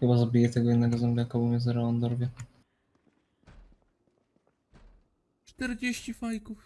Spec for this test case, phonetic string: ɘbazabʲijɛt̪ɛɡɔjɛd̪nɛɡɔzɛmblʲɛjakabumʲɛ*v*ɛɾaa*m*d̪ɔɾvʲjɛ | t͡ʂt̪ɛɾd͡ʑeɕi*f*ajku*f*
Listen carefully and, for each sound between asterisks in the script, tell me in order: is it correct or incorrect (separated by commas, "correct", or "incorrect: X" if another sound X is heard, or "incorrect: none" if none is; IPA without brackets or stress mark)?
incorrect: z, incorrect: n, correct, correct